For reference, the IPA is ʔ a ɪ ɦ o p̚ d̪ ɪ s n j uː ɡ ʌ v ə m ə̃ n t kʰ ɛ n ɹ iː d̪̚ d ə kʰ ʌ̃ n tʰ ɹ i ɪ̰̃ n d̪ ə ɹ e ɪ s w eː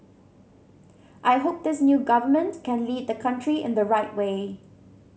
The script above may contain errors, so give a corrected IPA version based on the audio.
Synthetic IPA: ʔ a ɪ ɦ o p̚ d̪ ɪ s n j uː ɡ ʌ v ə m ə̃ n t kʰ ɛ̃ n l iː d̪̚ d ə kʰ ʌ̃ n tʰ ɹ i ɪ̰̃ n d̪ ə ɹ a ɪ t w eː